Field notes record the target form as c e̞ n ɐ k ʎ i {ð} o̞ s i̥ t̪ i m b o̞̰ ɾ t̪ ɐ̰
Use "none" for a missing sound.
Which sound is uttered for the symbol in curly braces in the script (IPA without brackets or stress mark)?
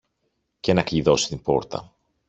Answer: ð